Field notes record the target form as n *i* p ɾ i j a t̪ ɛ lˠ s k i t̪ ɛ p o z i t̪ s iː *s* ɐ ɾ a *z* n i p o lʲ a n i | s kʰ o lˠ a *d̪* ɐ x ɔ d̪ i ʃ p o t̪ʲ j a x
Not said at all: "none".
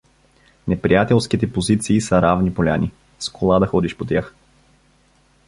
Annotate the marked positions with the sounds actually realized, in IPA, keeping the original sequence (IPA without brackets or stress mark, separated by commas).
ɛ, s, v, d̪